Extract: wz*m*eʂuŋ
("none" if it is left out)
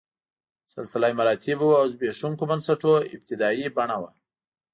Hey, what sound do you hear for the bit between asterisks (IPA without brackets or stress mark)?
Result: b